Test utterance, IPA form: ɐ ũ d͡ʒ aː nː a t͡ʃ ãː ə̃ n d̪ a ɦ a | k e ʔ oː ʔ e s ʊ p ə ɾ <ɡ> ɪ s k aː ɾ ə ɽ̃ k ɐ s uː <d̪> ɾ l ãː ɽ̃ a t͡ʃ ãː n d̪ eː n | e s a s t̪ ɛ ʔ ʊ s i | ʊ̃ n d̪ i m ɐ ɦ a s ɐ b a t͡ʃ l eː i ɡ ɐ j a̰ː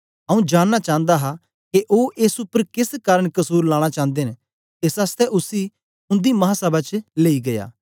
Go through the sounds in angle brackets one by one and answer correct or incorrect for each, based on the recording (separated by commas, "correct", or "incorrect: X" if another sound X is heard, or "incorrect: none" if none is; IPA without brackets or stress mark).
incorrect: k, incorrect: none